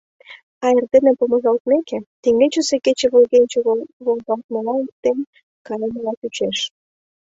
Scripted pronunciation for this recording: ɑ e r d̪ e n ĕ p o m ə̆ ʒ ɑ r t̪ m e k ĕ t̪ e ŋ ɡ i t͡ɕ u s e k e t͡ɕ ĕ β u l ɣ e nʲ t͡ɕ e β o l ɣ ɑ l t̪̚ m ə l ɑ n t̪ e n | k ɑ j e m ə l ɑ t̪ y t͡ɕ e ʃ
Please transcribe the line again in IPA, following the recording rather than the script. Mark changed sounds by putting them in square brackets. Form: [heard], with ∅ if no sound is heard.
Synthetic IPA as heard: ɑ e r d̪ e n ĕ p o m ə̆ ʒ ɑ [l] t̪ m e k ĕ t̪ e ŋ ɡ [e] t͡ɕ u s e k e t͡ɕ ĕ β [o] l ɣ e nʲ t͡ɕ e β o l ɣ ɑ l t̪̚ m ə l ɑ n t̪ e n | k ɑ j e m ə l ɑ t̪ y t͡ɕ e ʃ

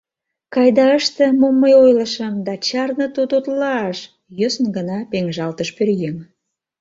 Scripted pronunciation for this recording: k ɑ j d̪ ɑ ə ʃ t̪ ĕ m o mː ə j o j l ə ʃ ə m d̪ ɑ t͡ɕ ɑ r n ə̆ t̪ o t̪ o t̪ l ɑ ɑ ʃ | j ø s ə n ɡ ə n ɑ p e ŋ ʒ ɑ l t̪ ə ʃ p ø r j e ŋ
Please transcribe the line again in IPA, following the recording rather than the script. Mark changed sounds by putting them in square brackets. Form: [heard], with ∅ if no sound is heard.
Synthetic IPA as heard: k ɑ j d̪ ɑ ə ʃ t̪ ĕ m o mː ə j o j l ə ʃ ə m d̪ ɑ t͡ɕ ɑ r n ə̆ t̪ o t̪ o t̪ l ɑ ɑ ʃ | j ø s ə n ɡ ə n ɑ p e ŋ ʒ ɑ l t̪ ə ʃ p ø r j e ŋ

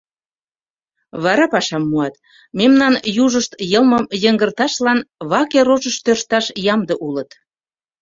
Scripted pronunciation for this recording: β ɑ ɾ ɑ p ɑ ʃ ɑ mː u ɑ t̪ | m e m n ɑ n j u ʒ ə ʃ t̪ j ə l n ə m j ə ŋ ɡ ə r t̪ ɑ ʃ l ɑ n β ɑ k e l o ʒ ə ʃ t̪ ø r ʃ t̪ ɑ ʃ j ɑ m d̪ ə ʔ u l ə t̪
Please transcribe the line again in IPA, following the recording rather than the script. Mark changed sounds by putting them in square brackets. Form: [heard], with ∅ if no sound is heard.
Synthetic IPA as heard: β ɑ ɾ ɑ p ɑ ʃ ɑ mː u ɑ t̪ | m e m n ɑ n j u ʒ ə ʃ t̪ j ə l [m] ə m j ə ŋ ɡ ə r t̪ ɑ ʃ l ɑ n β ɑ k e [ɾ] o ʒ ə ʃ t̪ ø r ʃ t̪ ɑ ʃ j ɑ m d̪ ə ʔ u l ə t̪

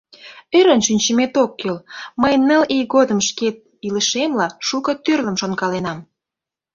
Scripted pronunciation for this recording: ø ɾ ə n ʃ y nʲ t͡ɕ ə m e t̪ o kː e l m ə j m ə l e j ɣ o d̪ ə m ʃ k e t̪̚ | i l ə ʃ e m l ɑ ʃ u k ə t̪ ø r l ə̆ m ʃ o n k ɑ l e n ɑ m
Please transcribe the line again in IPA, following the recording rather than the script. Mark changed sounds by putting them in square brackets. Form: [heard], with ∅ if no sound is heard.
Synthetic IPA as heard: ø ɾ ə n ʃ y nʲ t͡ɕ ə m e t̪ o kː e l m ə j [n] ə l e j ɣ o d̪ ə m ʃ k e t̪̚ | i l ə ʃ e m l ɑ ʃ u k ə t̪ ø r l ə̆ m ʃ o n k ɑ l e n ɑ m

